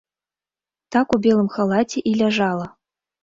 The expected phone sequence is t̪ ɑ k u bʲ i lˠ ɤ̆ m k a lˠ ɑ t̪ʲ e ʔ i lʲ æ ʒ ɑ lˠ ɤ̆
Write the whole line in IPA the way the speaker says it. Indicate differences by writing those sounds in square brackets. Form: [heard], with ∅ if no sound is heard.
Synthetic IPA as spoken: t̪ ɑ k u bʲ [e] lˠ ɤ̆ m [x] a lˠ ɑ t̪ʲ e ʔ i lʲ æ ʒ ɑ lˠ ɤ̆